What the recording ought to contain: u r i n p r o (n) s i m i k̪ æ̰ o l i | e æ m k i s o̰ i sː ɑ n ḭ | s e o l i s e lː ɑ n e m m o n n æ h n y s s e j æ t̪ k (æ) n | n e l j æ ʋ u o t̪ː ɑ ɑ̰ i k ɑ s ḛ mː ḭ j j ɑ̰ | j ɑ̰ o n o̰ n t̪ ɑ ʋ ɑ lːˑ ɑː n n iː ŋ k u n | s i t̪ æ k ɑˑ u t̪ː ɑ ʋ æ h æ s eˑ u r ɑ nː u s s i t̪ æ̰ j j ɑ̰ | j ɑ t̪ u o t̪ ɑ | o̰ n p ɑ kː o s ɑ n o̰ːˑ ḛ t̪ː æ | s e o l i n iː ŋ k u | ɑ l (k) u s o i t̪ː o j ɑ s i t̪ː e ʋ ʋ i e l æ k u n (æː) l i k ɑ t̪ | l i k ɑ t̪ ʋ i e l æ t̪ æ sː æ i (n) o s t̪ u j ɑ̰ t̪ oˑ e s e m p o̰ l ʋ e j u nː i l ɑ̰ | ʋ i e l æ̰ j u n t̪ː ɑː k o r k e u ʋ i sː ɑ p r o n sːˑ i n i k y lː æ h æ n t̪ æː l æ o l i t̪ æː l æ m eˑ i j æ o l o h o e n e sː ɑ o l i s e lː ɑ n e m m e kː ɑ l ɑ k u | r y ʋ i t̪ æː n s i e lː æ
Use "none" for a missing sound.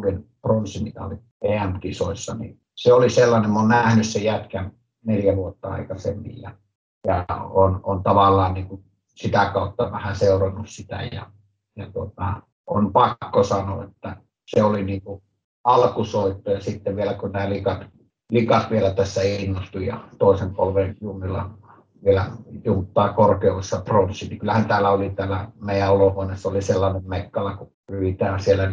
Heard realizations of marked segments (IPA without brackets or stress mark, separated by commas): n, æ, k, æː, nː